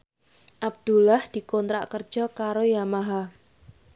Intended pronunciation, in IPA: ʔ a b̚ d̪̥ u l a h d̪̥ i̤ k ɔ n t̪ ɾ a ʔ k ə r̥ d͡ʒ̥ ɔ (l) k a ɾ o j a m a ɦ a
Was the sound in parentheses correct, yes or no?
no